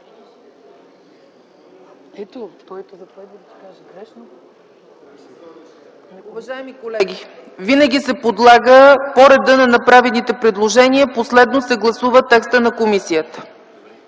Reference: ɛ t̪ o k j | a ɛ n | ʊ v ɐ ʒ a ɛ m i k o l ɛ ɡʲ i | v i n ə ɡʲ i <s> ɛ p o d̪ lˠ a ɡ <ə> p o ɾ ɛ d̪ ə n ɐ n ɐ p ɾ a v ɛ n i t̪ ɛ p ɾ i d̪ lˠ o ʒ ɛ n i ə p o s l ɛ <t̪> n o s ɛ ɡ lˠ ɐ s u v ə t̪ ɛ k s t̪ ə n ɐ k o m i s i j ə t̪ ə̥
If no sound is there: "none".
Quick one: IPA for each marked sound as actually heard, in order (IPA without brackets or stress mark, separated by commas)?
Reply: s, ə, d̪